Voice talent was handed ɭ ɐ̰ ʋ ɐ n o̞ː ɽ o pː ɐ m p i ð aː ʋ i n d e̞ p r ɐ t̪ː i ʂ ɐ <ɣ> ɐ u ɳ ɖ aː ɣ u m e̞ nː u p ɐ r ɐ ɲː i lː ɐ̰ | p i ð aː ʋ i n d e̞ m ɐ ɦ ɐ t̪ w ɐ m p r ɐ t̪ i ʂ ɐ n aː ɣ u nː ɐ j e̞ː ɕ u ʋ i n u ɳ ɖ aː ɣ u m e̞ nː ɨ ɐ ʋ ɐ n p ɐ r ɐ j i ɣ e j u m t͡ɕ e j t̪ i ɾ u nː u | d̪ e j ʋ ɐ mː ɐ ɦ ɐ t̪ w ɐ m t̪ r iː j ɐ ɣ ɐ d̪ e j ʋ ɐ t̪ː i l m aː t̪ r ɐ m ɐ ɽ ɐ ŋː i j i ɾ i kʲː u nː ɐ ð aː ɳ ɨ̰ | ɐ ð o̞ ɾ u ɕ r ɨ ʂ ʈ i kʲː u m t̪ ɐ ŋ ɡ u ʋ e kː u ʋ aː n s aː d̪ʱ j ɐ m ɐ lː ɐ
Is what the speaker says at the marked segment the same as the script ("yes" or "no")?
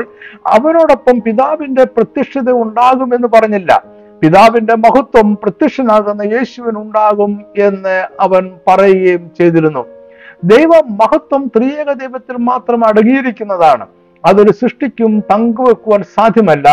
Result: no